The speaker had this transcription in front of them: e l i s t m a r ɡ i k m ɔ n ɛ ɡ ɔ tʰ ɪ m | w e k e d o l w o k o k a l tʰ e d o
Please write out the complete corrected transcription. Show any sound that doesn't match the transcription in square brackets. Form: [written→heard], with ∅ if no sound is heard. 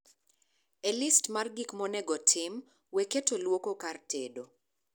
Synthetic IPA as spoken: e l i s t m a r ɡ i k m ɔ n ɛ ɡ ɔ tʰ ɪ m | w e k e [d→t] o l w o k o k a [l→r] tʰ e d o